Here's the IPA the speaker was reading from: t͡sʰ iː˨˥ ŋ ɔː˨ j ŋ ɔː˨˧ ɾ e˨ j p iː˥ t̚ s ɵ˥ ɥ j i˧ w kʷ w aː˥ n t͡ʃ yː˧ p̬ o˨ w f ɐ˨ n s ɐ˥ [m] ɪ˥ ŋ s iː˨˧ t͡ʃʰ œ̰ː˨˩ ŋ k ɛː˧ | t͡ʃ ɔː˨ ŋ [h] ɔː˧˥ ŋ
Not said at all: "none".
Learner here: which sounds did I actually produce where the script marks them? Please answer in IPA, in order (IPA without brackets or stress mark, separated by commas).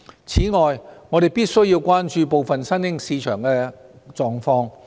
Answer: n, f